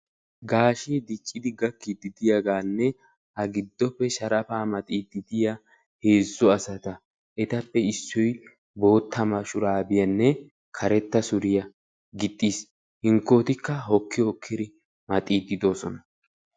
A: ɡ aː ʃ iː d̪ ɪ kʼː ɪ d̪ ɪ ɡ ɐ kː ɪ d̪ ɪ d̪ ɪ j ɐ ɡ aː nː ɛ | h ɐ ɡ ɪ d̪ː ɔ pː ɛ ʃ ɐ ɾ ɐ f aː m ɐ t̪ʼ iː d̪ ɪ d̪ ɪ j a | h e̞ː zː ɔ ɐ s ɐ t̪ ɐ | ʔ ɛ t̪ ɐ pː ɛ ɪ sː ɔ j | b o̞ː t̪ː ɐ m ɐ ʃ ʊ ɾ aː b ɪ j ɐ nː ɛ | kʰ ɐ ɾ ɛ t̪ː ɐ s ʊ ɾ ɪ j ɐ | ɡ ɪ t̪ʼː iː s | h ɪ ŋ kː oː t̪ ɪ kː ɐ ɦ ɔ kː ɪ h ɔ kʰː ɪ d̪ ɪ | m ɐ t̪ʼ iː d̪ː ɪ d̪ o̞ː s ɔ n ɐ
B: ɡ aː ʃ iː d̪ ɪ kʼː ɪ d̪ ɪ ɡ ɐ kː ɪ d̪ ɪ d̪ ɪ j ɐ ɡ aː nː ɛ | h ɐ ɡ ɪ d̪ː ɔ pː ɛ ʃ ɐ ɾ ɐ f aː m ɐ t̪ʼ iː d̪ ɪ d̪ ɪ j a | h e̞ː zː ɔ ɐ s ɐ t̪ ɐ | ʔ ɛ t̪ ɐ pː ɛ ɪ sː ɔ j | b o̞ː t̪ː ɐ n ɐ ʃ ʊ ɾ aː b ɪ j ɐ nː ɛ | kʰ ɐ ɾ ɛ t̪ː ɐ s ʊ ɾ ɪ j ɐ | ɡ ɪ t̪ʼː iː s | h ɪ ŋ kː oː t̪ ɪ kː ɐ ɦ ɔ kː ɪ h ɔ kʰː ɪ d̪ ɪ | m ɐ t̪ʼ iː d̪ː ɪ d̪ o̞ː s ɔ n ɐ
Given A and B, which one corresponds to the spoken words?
A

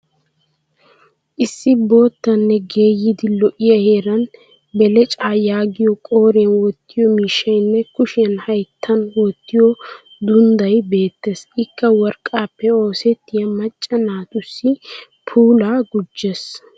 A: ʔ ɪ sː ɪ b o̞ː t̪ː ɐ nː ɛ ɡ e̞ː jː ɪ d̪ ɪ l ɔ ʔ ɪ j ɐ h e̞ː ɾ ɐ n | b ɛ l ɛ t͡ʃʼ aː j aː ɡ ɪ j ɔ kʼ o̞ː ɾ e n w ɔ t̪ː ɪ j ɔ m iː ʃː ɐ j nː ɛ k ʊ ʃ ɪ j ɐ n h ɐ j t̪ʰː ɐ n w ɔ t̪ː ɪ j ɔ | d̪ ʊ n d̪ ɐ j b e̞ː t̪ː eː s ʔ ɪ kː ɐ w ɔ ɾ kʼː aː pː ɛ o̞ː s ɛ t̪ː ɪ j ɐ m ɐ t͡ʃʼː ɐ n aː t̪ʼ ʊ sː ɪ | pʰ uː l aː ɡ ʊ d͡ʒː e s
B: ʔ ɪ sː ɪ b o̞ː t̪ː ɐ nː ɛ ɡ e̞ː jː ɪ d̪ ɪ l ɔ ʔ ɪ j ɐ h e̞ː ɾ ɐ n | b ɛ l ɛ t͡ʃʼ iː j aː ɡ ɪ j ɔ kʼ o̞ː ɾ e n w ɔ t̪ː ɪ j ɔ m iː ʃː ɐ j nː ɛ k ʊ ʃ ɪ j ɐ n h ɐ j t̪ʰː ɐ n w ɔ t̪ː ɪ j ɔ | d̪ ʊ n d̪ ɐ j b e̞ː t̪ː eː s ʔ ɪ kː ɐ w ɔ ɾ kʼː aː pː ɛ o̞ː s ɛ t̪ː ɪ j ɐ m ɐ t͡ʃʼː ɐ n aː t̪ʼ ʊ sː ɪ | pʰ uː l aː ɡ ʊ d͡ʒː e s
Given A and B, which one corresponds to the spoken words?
A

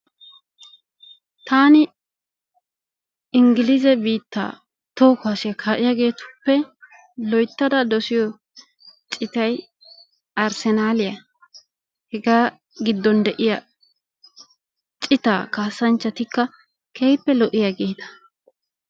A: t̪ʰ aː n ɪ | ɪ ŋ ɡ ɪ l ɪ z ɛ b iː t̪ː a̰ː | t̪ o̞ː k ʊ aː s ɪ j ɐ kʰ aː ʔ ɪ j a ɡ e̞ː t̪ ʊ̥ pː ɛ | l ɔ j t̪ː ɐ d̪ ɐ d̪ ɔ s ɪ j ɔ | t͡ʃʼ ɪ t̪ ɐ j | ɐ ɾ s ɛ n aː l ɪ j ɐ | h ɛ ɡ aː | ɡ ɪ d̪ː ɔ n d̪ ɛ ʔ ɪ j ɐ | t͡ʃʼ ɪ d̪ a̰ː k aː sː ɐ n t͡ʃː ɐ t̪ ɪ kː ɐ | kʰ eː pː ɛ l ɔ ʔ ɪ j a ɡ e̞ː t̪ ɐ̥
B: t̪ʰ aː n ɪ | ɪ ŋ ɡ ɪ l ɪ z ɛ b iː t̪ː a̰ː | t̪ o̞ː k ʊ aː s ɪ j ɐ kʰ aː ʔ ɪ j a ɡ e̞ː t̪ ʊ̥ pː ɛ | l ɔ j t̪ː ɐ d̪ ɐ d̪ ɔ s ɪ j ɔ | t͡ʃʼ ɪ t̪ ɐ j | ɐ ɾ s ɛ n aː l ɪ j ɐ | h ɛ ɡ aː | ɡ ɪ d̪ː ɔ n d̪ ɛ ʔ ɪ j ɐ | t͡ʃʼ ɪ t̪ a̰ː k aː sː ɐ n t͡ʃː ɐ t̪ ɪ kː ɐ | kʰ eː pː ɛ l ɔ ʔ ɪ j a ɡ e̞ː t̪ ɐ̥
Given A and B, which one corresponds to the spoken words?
B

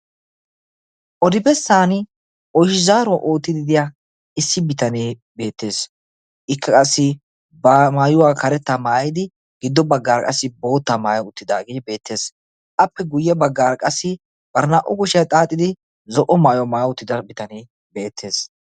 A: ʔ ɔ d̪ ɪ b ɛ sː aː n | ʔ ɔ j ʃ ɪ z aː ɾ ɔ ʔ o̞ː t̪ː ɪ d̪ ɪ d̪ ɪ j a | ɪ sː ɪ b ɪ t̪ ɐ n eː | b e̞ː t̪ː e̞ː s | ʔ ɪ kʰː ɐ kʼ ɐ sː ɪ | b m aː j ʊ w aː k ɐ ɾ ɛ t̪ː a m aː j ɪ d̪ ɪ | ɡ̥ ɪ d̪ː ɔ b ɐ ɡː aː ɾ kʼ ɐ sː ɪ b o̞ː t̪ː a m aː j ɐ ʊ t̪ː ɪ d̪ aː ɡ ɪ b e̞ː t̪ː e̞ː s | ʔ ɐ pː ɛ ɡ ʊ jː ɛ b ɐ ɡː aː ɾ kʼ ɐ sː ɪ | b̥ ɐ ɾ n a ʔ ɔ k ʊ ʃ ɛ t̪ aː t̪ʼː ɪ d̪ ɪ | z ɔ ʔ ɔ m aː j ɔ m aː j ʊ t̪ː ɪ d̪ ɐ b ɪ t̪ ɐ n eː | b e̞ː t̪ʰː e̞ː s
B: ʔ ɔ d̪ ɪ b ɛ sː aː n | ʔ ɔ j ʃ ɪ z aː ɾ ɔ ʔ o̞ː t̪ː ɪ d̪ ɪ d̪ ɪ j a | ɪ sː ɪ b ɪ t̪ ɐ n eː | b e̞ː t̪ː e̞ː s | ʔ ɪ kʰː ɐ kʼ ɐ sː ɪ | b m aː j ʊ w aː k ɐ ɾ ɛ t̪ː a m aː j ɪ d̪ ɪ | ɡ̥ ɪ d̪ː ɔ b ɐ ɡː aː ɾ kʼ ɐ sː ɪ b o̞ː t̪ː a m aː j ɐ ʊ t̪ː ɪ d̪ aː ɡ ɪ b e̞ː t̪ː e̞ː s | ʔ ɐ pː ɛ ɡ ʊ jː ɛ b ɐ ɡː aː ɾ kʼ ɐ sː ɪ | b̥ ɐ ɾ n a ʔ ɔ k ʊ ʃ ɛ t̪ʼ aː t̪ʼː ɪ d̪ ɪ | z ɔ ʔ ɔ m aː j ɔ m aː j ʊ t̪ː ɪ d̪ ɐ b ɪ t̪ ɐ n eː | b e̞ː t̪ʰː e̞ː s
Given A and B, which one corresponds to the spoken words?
B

